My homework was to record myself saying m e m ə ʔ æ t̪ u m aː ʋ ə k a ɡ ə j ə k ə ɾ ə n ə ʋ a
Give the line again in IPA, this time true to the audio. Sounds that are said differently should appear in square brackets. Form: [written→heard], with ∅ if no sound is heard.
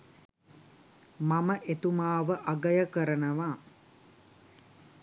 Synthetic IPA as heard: m [e→a] m ə ʔ [æ→e] t̪ u m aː ʋ ə [k→ʔ] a ɡ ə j ə k ə ɾ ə n ə ʋ a